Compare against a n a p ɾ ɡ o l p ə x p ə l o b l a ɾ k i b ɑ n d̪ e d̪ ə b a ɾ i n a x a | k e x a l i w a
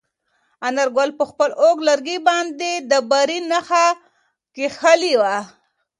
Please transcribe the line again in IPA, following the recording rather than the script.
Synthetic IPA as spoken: a n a ɾ ɡ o l p ə x p ə l o ɡ l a ɾ ɡ i b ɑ n d̪ e d̪ ə b a ɾ i n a x a | k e x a l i w a